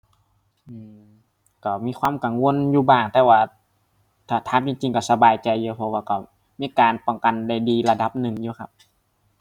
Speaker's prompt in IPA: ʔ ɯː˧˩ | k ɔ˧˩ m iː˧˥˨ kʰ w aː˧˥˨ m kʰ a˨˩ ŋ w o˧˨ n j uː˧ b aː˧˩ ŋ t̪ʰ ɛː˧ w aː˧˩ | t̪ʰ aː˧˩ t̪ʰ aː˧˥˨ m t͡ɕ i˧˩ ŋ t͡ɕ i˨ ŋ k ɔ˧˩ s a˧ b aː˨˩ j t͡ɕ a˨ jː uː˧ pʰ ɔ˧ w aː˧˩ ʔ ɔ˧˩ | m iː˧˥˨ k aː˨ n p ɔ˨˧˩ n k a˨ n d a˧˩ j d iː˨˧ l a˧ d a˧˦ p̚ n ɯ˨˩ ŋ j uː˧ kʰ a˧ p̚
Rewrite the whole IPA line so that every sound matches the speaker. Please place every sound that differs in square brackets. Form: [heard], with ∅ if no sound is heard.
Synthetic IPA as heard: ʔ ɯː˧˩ | k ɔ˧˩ m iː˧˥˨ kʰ w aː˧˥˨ m [k] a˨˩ ŋ w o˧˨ n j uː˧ b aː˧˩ ŋ [t̪] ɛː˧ w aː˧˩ | t̪ʰ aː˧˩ t̪ʰ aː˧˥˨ m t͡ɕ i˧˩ ŋ t͡ɕ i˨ ŋ k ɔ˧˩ s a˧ b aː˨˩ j t͡ɕ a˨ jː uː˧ pʰ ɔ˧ w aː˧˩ [k] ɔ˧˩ | m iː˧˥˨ k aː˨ n p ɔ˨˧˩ [ŋ] k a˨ n d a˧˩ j d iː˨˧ l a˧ d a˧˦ p̚ n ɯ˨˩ ŋ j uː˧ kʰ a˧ p̚